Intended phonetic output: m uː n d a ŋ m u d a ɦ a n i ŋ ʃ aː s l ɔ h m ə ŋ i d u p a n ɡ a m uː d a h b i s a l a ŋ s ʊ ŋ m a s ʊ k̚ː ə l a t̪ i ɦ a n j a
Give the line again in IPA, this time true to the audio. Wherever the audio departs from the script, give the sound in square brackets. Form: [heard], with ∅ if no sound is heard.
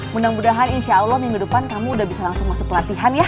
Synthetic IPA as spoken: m [u] n d a ŋ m u d a ɦ a n i [n] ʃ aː [∅] l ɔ h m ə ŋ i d u p a n [k] a m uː d a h b i s a l a ŋ s ʊ ŋ m a s ʊ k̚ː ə l a t̪ i ɦ a n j a